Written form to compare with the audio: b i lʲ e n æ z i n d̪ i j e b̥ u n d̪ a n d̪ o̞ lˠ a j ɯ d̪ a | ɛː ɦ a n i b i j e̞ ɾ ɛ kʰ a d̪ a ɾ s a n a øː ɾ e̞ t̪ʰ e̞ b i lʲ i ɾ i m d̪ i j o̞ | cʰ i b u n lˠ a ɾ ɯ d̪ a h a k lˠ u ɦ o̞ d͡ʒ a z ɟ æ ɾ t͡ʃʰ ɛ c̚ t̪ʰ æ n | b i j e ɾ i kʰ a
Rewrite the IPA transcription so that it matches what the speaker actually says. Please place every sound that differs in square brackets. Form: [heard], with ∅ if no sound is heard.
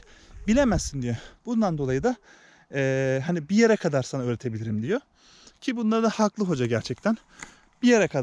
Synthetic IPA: b i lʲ e [m] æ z i n d̪ i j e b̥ u n d̪ a n d̪ o̞ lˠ a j ɯ d̪ a | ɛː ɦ a n i b i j e̞ ɾ ɛ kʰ a d̪ a ɾ s a n a øː ɾ e̞ t̪ʰ e̞ b i lʲ i ɾ i m d̪ i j o̞ | cʰ i b u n lˠ a ɾ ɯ d̪ a h a k lˠ [ɯ] ɦ o̞ d͡ʒ a [∅] ɟ æ ɾ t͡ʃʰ ɛ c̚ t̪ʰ æ n | b i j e ɾ [ɛ] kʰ a